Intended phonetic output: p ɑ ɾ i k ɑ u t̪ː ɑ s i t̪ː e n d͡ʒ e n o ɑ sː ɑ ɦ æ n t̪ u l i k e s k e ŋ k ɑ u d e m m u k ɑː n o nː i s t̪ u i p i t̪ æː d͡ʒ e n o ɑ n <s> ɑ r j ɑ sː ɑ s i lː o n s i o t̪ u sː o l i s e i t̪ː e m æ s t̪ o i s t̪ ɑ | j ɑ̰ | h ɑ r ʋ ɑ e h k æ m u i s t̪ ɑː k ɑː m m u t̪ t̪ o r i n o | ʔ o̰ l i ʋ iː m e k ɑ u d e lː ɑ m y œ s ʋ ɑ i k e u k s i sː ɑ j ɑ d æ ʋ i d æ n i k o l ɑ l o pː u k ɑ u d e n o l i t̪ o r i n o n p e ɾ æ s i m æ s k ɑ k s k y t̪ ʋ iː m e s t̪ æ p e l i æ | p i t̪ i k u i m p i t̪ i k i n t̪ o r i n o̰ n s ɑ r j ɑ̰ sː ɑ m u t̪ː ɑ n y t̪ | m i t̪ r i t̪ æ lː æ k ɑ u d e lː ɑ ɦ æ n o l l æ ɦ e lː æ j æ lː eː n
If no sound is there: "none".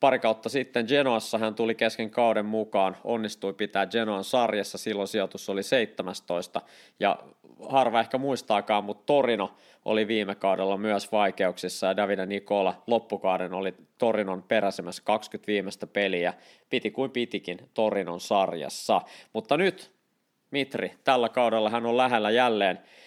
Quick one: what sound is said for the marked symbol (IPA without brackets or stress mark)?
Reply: s